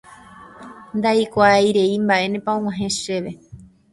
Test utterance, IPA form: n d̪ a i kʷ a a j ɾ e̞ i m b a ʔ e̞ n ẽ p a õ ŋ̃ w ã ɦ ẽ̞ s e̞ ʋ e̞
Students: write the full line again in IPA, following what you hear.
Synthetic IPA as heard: n d̪ a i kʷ a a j ɾ e̞ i m b a ʔ e̞ n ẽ p a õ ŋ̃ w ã ɦ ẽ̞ ʃ e̞ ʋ e̞